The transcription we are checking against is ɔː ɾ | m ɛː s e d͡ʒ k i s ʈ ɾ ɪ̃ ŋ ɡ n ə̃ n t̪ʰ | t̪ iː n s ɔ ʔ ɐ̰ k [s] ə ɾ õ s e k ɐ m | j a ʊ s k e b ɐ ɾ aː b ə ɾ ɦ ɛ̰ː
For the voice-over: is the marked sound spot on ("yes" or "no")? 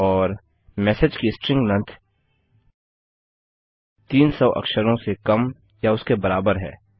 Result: no